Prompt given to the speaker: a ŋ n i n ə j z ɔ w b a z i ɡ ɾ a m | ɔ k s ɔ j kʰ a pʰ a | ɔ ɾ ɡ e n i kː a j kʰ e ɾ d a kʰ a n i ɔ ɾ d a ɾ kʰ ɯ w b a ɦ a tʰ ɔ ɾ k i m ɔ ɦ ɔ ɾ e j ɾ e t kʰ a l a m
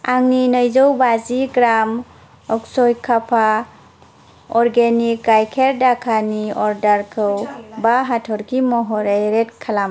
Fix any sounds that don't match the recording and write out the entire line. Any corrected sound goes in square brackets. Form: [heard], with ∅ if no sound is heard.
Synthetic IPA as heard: a ŋ n i n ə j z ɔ w b a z i ɡ ɾ a m | ɔ k s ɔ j kʰ a pʰ a | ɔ ɾ ɡ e n i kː a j kʰ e ɾ d a kʰ a n i ɔ ɾ d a ɾ kʰ ɯ w b a ɦ a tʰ ɔ ɾ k i m ɔ ɦ ɔ ɾ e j ɾ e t kʰ a l a m